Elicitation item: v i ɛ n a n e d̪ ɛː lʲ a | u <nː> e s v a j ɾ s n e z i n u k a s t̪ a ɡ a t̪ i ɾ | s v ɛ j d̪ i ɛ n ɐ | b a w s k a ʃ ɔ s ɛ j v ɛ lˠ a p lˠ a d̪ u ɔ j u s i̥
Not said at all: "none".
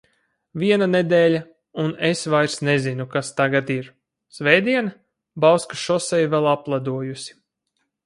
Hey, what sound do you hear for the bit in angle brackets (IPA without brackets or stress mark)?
n